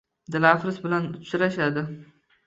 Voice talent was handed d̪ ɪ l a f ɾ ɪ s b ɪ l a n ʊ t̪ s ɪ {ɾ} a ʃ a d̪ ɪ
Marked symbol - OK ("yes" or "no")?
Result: yes